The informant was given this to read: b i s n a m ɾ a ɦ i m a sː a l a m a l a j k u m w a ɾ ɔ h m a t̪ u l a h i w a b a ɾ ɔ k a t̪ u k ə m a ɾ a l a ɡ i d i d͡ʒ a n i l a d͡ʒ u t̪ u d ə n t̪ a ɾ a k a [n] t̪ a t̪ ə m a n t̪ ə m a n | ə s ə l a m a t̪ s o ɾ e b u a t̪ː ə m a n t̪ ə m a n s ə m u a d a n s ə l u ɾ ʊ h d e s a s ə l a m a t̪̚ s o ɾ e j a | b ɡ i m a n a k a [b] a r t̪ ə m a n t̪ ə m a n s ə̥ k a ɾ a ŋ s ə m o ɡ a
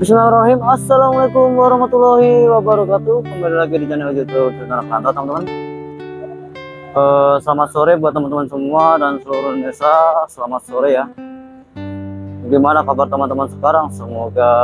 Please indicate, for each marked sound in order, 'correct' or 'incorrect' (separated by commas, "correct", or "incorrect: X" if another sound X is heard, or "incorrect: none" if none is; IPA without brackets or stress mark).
correct, correct